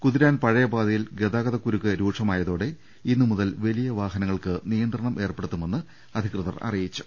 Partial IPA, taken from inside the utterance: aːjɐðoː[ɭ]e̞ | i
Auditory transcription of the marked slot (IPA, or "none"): ɽ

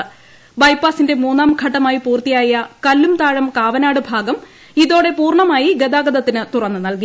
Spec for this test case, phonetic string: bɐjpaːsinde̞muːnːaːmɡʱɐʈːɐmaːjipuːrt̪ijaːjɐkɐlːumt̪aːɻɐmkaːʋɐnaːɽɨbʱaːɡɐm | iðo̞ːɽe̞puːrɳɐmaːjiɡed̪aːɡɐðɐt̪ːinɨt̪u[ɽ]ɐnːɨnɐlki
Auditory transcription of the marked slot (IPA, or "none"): r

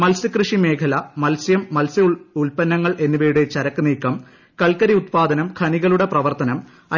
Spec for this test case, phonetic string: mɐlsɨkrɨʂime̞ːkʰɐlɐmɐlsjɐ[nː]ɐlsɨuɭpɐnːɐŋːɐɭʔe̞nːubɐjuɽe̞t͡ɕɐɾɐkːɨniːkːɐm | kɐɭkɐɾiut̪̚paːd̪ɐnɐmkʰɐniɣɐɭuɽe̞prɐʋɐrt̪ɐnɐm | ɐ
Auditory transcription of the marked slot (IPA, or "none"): mː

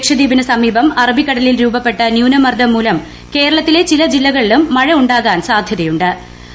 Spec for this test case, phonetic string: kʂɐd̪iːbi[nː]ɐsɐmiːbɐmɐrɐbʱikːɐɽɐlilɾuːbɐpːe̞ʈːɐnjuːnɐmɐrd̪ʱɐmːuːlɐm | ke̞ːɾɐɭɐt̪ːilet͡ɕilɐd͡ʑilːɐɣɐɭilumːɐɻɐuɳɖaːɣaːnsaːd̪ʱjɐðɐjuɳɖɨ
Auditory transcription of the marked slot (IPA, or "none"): n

